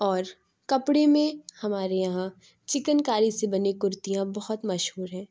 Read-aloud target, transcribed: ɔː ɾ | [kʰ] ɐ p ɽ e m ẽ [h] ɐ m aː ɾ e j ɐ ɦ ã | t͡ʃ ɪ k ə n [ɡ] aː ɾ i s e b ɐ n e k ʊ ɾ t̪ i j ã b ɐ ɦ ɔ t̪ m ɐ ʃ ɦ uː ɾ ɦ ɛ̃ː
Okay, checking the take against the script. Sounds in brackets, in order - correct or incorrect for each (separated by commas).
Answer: incorrect, correct, incorrect